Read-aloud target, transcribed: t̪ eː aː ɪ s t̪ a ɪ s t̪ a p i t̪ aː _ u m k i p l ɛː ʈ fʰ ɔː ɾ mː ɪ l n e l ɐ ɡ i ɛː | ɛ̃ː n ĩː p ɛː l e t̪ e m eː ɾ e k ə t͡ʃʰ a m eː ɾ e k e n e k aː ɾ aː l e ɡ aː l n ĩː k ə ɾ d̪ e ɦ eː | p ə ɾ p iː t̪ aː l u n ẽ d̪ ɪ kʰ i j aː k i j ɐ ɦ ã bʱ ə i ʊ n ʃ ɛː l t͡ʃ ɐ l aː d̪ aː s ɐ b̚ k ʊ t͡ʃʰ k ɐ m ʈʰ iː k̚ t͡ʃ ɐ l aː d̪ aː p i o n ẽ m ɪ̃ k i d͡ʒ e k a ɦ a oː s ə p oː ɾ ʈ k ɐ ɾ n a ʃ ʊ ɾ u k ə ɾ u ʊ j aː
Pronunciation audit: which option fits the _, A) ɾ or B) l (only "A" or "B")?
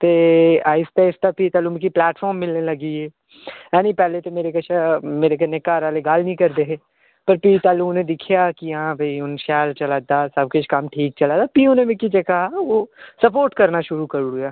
B